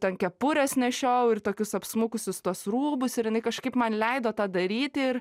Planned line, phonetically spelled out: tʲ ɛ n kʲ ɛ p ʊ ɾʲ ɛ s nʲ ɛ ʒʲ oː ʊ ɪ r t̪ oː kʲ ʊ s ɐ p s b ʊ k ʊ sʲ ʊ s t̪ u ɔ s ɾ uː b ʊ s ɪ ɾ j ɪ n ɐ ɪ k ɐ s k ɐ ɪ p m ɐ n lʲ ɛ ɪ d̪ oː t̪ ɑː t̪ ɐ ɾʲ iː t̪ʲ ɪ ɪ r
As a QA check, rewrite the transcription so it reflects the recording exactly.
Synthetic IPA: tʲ ɛ n kʲ ɛ p ʊ ɾʲ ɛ s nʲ ɛ ʃʲ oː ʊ ɪ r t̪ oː kʲ ʊ s ɐ p s m ʊ k ʊ sʲ ʊ s t̪ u ɔ s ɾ uː b ʊ s ɪ ɾ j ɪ n ɐ ɪ k ɐ ʃ k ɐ ɪ p m ɐ n lʲ ɛ ɪ d̪ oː t̪ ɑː d̪ ɐ ɾʲ iː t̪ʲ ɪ ɪ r